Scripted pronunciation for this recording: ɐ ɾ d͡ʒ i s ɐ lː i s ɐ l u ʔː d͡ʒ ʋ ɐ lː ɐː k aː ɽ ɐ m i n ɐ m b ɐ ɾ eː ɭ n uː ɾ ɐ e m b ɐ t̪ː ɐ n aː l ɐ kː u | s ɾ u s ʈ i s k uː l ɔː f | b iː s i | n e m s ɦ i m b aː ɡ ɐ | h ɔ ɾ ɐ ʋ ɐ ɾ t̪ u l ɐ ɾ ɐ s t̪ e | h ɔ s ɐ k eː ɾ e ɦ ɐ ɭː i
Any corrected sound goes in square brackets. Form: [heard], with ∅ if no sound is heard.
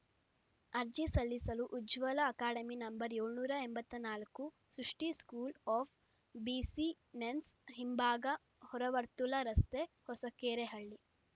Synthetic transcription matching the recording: ɐ ɾ d͡ʒ i s ɐ lː i s ɐ l u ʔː d͡ʒ ʋ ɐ [l] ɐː k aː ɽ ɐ m i n ɐ m b ɐ ɾ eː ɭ n uː ɾ ɐ e m b ɐ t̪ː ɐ n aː l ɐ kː u | s ɾ u [ʂ] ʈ i s k uː l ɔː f | b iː s i | n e [n] s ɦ i m b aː ɡ ɐ | h ɔ ɾ ɐ ʋ ɐ ɾ t̪ u l ɐ ɾ ɐ s t̪ e | h ɔ s ɐ k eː ɾ e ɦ ɐ ɭː i